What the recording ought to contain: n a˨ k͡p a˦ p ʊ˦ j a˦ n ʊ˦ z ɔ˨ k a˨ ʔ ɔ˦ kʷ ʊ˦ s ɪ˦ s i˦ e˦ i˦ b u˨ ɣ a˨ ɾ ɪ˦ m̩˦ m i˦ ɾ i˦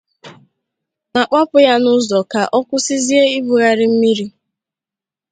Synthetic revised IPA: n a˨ k͡p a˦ p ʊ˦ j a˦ n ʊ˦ z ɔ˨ k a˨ ʔ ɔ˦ kʷ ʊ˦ s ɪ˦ z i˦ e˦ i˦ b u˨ ɣ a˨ ɾ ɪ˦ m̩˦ m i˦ ɾ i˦